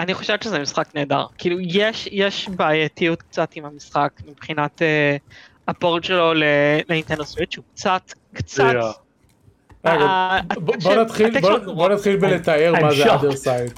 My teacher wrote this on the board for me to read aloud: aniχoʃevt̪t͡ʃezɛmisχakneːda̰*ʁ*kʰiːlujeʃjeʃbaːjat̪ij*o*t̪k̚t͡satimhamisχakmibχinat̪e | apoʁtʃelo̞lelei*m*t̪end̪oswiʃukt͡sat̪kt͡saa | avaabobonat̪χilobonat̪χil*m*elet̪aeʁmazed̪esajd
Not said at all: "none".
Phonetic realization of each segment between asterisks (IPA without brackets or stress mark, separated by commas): ʁ, u, n, b